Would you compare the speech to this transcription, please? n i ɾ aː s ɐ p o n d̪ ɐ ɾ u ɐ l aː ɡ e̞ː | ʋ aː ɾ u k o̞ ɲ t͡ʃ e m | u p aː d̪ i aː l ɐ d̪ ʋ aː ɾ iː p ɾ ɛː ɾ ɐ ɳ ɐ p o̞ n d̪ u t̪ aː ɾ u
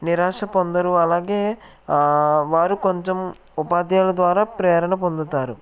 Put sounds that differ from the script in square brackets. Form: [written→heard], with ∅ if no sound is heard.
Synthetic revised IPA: n i ɾ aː [s→ʂ] ɐ p o n d̪ ɐ ɾ u ɐ l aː ɡ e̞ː | ʋ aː ɾ u k o̞ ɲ t͡ʃ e m | u p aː d̪ [i→j] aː l ɐ d̪ ʋ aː ɾ [iː→aː] p ɾ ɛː ɾ ɐ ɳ ɐ p o̞ n d̪ u t̪ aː ɾ u